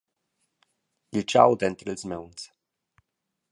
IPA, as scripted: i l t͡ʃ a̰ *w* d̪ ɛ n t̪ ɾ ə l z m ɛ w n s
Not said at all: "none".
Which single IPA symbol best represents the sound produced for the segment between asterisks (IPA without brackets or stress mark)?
w